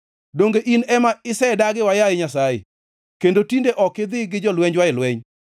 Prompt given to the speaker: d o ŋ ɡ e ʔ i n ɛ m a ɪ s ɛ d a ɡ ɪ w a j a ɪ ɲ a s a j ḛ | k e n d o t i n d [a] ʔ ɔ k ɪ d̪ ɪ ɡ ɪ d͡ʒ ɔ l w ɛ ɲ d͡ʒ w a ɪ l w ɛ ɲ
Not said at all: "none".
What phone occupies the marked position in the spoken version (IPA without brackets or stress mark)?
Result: e